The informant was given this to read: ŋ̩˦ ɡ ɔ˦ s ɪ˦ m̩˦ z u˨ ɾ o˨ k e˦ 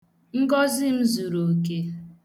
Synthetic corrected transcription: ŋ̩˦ ɡ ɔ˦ z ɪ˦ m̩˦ z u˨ ɾ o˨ k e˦